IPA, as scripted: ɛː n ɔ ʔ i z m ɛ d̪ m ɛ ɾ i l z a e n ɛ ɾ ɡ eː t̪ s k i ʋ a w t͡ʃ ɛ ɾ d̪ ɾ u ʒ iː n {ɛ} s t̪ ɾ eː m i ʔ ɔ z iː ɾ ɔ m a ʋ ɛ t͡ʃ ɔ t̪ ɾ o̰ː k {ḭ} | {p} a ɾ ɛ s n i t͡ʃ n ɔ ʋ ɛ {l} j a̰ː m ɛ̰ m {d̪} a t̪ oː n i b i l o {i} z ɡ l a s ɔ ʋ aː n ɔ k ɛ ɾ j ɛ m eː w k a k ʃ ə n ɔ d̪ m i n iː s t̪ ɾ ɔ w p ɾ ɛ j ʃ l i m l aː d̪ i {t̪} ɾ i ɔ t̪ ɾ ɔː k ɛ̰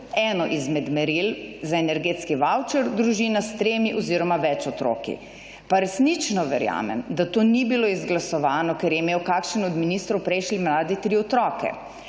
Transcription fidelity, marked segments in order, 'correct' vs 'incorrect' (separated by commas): incorrect, correct, correct, incorrect, correct, correct, correct